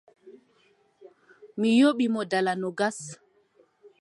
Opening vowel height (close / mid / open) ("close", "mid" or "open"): close